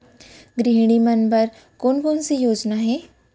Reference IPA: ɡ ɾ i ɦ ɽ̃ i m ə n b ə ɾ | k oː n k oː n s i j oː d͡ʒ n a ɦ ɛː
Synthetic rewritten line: ɡ ɾ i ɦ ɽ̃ i m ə n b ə ɾ | k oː n k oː n s i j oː d͡ʒ n a ɦ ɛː